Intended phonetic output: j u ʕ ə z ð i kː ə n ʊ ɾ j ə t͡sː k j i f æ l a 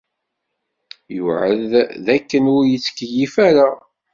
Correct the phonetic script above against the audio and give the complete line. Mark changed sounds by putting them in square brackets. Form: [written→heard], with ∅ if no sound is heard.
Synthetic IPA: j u ʕ ə [z→ð] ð [i→æ] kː ə n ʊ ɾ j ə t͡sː k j i f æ [l→ɾ] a